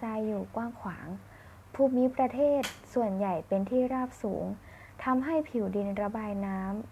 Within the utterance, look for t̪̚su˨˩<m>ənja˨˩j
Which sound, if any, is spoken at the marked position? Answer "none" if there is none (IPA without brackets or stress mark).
none